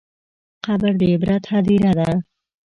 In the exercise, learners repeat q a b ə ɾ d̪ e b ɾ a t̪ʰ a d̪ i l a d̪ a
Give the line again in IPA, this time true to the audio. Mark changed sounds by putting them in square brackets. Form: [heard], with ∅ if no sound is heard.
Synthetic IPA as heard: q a b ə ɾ d̪ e b ɾ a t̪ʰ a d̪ i [ɾ] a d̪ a